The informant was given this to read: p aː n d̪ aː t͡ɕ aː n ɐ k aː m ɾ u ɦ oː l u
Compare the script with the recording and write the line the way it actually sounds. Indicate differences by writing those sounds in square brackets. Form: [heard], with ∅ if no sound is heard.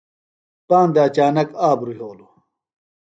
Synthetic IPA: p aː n d̪ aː t͡ɕ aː n ɐ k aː [b] ɾ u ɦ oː l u